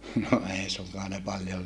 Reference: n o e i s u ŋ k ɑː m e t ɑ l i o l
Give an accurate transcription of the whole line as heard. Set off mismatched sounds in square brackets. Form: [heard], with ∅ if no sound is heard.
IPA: n o e i s u ŋ k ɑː [n] e [p] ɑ l [j] o l